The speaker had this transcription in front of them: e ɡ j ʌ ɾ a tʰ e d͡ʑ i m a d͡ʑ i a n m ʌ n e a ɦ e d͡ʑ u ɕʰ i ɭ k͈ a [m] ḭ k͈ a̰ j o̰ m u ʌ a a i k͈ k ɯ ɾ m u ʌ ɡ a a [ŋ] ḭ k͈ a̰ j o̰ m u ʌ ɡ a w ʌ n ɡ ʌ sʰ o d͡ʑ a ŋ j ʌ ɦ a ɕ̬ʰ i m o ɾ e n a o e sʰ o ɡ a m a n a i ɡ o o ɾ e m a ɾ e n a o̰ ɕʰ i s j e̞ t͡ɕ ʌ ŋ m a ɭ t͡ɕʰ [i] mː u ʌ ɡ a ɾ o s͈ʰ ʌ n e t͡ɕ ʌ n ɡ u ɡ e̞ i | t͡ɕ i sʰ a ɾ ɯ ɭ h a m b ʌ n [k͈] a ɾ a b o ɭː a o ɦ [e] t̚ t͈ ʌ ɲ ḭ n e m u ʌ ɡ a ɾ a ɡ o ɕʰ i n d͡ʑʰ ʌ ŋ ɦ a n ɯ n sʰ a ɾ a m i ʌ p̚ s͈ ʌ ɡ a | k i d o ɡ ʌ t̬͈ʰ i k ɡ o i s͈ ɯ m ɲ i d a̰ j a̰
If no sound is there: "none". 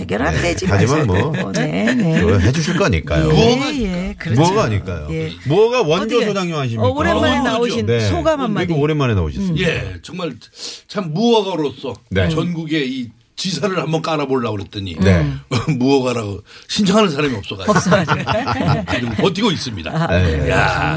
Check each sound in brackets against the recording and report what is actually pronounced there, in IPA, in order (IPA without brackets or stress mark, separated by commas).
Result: ɲ, ɲ, a, k͈, e